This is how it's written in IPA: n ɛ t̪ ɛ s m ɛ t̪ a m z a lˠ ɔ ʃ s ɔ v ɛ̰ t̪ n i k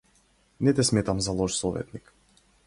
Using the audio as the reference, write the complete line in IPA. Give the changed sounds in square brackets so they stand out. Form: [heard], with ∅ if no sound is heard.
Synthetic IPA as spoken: n ɛ t̪ ɛ s m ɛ t̪ a m z a lˠ ɔ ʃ s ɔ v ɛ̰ t̪ n i k